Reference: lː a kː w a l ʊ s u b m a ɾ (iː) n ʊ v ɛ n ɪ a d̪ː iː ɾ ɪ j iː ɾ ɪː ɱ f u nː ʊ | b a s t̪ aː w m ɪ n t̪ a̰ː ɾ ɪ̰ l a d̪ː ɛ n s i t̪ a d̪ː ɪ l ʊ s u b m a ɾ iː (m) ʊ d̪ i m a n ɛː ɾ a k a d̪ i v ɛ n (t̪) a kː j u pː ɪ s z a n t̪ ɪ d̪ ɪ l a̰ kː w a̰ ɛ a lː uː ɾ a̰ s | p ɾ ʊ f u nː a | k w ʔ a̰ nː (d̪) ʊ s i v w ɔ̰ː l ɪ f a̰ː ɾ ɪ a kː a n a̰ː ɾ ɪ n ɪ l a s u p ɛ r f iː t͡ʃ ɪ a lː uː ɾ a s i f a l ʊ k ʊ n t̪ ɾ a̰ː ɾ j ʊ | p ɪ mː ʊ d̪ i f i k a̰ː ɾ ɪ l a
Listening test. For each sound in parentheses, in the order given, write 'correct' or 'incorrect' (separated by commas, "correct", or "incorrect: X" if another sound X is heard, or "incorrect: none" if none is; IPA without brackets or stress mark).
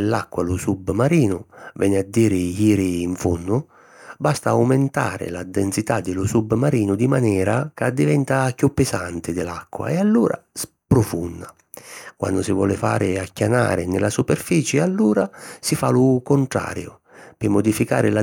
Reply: correct, incorrect: n, correct, correct